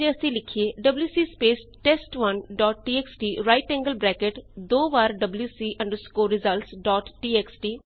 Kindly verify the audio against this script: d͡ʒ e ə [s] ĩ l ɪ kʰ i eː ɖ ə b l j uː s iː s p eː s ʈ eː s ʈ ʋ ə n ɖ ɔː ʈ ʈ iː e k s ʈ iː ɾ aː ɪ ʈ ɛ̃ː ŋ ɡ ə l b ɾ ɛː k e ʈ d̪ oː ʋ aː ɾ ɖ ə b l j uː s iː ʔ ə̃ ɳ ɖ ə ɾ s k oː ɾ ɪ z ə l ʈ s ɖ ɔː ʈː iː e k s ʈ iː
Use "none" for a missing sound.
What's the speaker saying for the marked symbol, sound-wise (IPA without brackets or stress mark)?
s